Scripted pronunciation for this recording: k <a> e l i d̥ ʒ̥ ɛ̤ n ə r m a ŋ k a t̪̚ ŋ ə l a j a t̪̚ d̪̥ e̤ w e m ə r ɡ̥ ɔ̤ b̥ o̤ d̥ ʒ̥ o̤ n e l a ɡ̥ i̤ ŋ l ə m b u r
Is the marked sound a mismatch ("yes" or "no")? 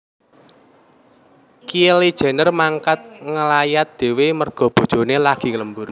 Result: yes